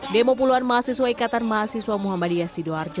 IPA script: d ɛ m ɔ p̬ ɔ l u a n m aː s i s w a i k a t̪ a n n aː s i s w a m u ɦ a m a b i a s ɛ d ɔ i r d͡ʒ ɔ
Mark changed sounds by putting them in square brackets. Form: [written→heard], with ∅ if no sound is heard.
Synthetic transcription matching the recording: d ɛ m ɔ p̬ [ɔ→u] l u a n m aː s i s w a i k a t̪ a n [n→m] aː s i s w a m u ɦ a m a [b→d] i a s [ɛ→i] d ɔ [i→a] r d͡ʒ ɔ

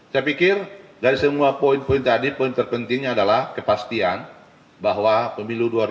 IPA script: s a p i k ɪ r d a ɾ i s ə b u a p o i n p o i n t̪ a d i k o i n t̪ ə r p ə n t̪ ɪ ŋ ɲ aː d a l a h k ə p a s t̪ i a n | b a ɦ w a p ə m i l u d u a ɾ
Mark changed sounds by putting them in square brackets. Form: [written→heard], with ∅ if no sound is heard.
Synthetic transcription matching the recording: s a p i k ɪ r d a ɾ i s ə [b→m] u a p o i n p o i n t̪ a d i [k→p] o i n t̪ ə r p ə n t̪ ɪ ŋ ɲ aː d a l a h k ə p a s t̪ i a n | b a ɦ w a p ə m i l u d u a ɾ

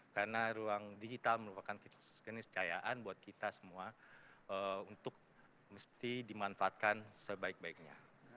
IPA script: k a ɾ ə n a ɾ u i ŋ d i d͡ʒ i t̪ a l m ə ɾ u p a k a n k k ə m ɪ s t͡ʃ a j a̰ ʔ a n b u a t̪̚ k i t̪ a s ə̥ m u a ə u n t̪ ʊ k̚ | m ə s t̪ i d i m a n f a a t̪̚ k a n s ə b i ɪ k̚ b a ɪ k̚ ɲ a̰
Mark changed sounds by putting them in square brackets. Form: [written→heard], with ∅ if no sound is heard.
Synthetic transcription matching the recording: k a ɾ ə n a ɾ u [i→a] ŋ d i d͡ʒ i t̪ a l m ə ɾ u p a k a n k k ə [m→n] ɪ s t͡ʃ a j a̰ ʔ a n b u a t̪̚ k i t̪ a s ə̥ m u a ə u n t̪ ʊ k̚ | m ə s t̪ i d i m a n f a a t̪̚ k a n s ə b [i→a] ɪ k̚ b a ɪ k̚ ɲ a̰

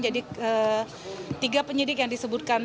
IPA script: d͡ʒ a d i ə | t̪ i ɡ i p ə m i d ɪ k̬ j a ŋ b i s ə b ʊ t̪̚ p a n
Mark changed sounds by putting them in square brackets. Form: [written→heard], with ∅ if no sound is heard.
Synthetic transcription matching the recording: d͡ʒ a d i ə | t̪ i ɡ [i→a] p ə [m→ɲ] i d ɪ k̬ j a ŋ [b→d] i s ə b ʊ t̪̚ [p→k] a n

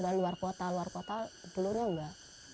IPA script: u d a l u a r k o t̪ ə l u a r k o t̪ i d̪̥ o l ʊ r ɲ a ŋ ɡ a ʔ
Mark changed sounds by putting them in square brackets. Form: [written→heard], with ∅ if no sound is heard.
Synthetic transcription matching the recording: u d a l u a r k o t̪ [ə→a] l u a r k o t̪ [i→a] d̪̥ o l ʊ r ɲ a ŋ ɡ a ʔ

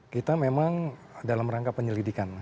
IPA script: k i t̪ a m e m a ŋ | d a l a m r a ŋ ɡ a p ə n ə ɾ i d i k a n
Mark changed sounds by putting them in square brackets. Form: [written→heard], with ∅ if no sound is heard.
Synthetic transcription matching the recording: k i t̪ a m e m a ŋ | d a l a m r a ŋ [ɡ→k] a p ə [n→ɲ] ə [ɾ→l] i d i k a n

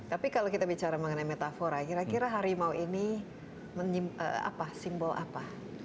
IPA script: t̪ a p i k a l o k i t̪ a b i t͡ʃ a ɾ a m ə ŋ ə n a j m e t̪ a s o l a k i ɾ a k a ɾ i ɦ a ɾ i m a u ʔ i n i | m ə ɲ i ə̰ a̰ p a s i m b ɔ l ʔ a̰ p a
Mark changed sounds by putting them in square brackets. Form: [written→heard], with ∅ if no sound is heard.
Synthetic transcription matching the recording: t̪ a p i k a l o k i t̪ a b i t͡ʃ a ɾ a m ə ŋ ə n a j m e t̪ a [s→f] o [l→ɾ] a k i ɾ a k [a→i] ɾ [i→a] ɦ a ɾ i m a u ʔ i n i | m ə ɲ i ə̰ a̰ p a s i m b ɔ l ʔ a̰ p a

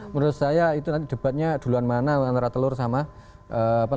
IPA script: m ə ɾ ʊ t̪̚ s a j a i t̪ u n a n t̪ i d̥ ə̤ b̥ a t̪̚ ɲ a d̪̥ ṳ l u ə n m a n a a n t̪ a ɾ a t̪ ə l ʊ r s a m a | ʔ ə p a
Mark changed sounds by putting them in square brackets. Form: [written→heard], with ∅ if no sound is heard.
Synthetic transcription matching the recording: m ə ɾ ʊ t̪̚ s a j a i t̪ u n a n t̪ i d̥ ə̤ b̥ a t̪̚ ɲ a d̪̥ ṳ l u [ə→a] n m a n a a n t̪ a ɾ a t̪ ə l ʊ r s a m a | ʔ ə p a

